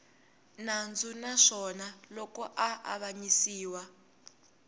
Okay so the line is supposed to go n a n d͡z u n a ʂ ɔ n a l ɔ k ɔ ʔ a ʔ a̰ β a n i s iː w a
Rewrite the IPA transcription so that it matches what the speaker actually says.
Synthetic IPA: n a n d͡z u n a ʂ ɔ n a l ɔ k ɔ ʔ a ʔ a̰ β a ɲ i s iː w a